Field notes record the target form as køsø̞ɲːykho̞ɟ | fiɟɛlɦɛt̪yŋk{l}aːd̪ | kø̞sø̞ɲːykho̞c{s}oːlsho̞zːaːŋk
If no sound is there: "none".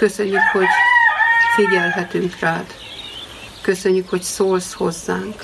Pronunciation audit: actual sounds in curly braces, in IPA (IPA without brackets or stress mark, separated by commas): r, s